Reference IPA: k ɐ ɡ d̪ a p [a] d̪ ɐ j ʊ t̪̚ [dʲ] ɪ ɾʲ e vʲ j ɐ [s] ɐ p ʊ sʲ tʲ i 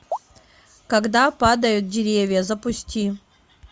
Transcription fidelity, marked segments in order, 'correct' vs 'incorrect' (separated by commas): correct, correct, incorrect